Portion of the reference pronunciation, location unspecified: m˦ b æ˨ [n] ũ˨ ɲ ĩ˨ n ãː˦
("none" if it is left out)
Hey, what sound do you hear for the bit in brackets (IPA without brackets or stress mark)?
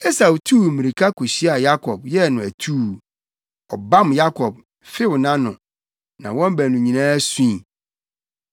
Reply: n